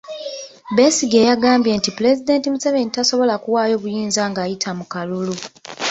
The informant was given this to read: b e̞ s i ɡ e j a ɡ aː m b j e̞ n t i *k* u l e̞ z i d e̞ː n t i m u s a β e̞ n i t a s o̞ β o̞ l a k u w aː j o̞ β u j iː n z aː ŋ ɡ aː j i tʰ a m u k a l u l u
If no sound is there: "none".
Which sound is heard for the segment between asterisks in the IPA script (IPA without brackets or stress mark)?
p